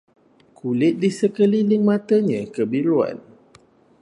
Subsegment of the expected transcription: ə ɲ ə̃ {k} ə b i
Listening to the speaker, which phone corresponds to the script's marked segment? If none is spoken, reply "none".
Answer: k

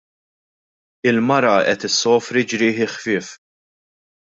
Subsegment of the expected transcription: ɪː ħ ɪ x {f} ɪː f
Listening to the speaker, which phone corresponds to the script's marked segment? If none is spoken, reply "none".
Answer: f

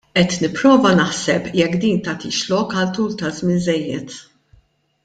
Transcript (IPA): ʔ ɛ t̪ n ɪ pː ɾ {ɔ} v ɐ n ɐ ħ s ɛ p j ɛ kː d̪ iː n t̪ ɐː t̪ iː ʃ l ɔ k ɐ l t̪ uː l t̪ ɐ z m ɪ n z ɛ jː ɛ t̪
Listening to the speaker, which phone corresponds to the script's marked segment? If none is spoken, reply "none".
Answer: ɔː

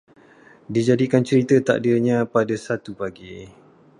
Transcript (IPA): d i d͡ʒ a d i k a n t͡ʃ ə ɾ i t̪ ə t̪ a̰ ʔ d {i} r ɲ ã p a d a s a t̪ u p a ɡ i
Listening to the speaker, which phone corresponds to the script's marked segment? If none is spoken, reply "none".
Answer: i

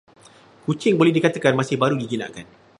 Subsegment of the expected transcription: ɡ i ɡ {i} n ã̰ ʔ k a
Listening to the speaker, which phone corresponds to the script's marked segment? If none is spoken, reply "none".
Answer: i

